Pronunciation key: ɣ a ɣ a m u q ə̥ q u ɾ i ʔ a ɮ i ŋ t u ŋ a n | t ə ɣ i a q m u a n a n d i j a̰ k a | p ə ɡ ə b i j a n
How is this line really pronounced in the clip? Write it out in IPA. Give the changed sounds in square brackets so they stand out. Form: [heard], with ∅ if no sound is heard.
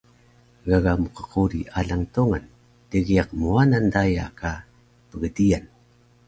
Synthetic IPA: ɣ a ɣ a m u q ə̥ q u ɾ i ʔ a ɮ [a] ŋ t u ŋ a n | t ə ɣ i a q m u a n a n d [a] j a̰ k a | p ə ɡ ə [d] i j a n